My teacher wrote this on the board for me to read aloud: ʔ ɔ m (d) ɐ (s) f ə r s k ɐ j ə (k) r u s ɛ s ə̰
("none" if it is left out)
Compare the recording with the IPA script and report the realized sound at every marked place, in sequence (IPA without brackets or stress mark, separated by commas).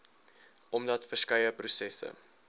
d, t, p